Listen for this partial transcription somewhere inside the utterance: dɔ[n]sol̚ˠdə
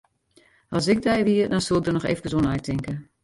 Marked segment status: correct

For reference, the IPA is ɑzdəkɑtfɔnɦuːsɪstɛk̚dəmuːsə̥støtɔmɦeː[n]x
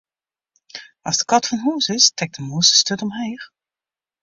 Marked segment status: incorrect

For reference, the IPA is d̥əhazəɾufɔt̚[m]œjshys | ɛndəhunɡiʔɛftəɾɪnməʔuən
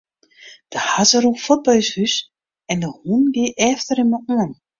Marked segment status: incorrect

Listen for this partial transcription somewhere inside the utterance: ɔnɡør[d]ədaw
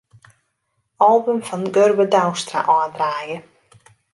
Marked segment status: incorrect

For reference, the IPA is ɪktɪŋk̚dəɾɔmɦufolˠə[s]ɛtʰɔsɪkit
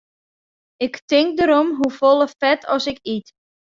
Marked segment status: incorrect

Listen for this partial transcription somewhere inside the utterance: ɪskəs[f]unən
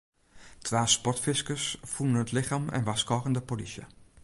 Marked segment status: correct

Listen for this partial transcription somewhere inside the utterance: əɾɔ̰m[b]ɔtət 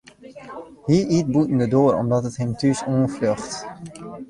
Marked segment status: incorrect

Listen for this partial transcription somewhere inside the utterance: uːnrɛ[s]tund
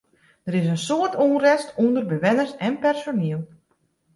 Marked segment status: correct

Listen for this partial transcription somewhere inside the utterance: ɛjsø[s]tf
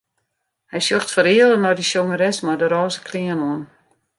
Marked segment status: incorrect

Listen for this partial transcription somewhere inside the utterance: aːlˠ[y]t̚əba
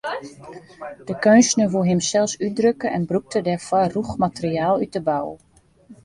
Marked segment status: correct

